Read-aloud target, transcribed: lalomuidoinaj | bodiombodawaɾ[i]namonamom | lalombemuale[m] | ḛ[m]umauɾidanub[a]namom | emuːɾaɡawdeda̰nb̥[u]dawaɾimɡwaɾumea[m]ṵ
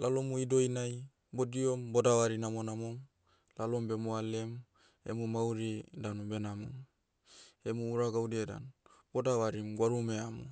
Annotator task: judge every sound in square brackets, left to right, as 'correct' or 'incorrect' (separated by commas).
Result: correct, correct, correct, incorrect, incorrect, correct